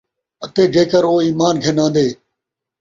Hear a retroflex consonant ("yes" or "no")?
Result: no